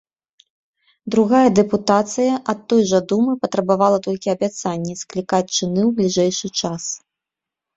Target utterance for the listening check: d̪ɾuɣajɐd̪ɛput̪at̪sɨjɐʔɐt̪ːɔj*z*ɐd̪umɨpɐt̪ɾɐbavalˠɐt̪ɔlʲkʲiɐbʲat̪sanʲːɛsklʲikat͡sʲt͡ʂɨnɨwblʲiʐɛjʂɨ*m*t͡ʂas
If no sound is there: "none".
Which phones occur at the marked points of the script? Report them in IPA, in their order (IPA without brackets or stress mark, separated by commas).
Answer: ʐ, none